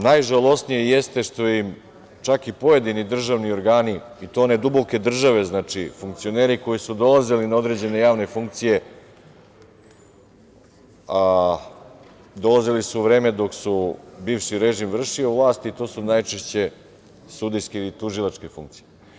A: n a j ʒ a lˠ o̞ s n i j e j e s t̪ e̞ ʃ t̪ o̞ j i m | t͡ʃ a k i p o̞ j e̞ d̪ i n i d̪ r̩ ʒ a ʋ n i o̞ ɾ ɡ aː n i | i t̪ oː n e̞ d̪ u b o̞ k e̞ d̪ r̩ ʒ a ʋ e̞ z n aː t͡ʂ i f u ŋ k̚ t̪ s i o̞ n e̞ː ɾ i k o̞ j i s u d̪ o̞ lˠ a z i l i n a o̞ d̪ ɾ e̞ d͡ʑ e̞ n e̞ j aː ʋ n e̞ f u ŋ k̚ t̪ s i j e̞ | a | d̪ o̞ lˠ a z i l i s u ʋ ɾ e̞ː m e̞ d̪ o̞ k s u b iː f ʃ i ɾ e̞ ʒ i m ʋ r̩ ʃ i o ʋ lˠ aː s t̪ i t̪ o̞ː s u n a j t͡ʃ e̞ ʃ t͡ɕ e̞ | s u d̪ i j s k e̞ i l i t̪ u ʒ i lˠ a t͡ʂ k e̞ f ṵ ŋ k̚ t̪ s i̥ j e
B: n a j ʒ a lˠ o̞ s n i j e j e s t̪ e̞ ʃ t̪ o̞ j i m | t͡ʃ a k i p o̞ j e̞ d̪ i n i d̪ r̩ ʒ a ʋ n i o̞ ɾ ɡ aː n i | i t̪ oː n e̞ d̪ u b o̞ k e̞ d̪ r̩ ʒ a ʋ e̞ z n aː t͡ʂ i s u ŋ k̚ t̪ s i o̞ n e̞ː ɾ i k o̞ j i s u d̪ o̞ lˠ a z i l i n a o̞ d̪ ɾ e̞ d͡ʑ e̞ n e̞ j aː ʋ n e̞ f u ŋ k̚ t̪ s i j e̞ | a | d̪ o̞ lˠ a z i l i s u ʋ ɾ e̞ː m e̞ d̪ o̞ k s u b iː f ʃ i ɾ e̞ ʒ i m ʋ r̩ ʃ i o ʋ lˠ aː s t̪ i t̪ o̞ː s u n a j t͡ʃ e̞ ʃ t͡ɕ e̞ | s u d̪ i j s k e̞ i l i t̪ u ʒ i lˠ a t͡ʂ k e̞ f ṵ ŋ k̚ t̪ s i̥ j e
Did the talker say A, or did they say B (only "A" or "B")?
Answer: A